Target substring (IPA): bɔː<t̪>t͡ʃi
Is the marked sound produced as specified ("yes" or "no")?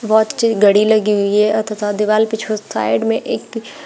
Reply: yes